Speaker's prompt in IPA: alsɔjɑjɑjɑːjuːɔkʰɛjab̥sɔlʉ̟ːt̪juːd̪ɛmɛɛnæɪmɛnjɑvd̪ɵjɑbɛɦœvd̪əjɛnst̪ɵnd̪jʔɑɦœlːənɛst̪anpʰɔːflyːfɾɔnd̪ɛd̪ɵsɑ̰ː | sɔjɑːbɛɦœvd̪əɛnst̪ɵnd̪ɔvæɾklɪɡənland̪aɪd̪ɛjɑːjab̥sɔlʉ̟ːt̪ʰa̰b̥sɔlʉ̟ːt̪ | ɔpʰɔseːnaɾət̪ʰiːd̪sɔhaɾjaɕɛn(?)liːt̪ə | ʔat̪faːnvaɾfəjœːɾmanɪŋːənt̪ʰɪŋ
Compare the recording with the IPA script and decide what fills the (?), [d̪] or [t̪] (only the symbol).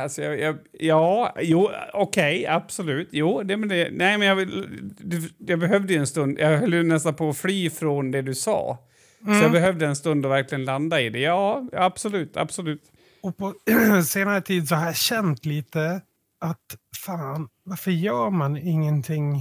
t̪